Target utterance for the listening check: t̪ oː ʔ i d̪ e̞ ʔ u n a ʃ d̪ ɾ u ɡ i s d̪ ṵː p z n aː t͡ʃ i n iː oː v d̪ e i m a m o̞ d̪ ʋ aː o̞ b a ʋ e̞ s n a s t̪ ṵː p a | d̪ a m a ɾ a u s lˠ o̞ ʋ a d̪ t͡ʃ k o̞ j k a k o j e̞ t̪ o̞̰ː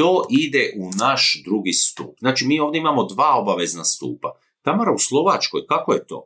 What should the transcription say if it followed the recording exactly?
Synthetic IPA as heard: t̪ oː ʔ i d̪ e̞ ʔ u n a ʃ d̪ ɾ u ɡ i s t̪ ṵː p z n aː t͡ʃ i m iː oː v d̪ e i m a m o̞ d̪ ʋ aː o̞ b a ʋ e̞ z n a s t̪ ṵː p a | t̪ a m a ɾ a u s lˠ o̞ ʋ a t͡ʃ k o̞ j k a k o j e̞ t̪ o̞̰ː